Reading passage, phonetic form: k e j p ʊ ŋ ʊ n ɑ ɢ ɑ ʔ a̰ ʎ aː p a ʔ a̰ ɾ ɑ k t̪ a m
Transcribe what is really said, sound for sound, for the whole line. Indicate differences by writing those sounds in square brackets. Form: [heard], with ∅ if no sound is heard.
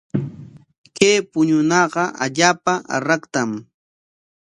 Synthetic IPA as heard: k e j p ʊ [ɲ] ʊ n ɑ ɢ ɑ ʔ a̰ ʎ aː p a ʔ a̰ ɾ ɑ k t̪ a m